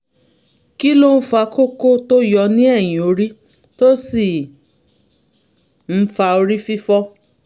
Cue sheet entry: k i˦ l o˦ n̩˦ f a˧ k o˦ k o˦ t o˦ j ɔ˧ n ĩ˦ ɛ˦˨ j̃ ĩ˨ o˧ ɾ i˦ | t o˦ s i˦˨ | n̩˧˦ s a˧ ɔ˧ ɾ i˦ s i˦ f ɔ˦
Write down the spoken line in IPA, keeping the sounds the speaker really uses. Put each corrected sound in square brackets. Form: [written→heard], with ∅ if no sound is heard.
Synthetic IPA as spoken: k i˦ l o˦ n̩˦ f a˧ k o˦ k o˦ t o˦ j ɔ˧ n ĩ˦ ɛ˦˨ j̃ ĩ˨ o˧ ɾ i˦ | t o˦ s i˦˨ | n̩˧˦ [s→f] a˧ [ɔ˧→o˧] ɾ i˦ [s→f] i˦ f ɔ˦